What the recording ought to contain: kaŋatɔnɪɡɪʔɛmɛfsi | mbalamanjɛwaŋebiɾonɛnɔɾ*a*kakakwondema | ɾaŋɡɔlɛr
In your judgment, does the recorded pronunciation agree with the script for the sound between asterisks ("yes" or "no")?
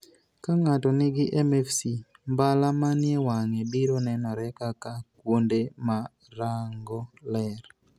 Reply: no